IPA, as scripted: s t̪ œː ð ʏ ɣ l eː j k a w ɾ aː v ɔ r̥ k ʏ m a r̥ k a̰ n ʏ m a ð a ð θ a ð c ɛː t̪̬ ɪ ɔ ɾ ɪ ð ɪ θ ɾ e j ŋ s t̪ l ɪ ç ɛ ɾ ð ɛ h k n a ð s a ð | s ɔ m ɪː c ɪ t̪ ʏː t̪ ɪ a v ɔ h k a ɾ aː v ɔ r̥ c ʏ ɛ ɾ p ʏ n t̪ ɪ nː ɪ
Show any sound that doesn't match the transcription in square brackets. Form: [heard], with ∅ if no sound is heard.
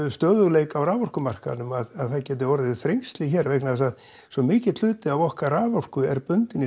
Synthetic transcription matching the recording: s t̪ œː ð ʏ ɣ l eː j k a w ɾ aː v ɔ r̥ k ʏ m a r̥ k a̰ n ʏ m a ð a ð θ a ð c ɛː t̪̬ ɪ ɔ ɾ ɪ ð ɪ θ ɾ e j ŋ s t̪ l ɪ ç ɛ ɾ [v] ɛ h k n a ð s a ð | s ɔ m ɪː c ɪ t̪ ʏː t̪ ɪ a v ɔ h k a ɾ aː v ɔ r̥ [k] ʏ ɛ ɾ p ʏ n t̪ ɪ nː ɪ